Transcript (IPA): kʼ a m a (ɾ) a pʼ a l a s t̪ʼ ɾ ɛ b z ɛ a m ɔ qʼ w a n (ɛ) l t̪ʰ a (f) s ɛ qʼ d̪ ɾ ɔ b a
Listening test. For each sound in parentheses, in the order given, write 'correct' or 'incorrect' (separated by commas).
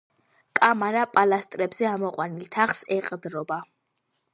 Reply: correct, incorrect, incorrect